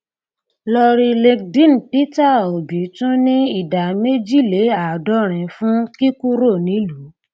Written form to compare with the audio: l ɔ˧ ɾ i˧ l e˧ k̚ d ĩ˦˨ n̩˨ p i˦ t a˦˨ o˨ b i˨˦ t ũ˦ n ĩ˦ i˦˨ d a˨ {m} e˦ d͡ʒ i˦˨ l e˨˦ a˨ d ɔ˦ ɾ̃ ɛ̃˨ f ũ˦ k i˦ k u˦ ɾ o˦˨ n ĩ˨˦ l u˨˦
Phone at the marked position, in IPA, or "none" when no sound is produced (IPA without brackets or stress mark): m